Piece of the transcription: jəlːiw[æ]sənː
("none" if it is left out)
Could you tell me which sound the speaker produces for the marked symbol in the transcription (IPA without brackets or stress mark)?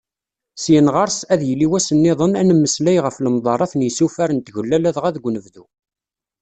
æ